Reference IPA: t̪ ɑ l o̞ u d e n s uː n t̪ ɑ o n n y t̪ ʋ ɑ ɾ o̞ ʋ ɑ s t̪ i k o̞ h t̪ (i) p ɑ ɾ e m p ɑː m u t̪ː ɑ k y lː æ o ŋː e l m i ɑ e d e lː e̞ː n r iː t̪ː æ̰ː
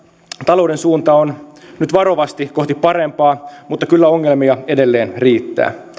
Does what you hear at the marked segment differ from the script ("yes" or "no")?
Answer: no